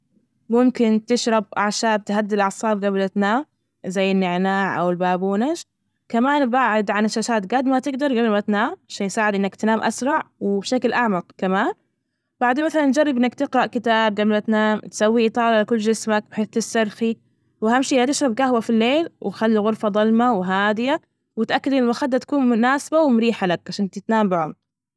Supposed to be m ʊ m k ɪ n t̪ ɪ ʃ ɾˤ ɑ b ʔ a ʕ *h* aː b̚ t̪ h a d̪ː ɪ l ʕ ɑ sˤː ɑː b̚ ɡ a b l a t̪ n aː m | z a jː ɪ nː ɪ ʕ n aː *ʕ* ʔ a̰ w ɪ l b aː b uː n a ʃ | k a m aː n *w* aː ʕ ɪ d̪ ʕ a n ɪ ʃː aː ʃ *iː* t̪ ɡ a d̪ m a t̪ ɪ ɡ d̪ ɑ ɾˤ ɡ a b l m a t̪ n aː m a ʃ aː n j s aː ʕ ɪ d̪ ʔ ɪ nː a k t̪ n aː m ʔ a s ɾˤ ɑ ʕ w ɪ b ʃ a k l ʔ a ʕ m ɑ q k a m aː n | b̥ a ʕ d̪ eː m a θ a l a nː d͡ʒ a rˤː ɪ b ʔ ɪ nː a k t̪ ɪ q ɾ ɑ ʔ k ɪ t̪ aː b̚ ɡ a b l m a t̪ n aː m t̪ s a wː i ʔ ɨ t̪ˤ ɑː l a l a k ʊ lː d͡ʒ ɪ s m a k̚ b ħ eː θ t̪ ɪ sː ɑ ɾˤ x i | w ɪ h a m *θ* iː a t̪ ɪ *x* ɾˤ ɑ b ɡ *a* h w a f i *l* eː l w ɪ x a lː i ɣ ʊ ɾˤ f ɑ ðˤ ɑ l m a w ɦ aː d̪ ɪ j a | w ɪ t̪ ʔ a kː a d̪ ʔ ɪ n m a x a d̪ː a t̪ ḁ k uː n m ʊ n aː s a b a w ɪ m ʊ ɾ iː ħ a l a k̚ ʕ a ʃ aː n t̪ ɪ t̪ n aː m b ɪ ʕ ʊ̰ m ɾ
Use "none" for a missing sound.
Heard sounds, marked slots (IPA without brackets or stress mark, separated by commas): ʃ, ʕ, b, aː, ʃ, ʃ, a, lː